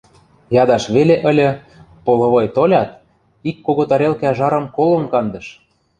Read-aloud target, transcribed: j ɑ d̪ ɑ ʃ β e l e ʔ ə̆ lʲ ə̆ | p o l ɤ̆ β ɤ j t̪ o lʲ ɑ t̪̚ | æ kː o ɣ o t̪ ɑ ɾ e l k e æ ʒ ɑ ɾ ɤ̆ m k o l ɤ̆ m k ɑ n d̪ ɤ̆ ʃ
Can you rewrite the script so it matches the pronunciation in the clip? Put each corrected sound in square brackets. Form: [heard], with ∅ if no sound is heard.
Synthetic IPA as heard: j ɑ d̪ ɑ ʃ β e l e ʔ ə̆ lʲ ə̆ | p o l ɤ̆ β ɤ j t̪ o lʲ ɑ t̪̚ | [i] kː o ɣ o t̪ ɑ ɾ e l k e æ ʒ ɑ ɾ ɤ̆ m k o l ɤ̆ m k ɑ n d̪ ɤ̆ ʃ